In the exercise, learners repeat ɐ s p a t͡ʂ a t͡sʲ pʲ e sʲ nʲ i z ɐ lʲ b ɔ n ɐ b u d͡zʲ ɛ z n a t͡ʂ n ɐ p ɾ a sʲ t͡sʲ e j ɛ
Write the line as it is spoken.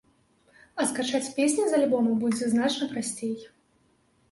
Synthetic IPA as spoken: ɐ s k a t͡ʂ a t͡sʲ pʲ e sʲ nʲ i z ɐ lʲ b ɔ m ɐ b u d͡zʲ ɛ z n a t͡ʂ n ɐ p ɾ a sʲ t͡sʲ e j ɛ